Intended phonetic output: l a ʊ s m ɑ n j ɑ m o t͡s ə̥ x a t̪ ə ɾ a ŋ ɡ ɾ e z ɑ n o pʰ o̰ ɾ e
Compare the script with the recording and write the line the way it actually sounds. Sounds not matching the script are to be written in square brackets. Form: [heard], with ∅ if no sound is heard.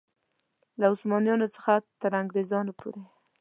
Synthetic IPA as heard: l a ʊ s m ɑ n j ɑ [n] o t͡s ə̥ x a t̪ ə ɾ a ŋ ɡ ɾ e z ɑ n o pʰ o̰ ɾ e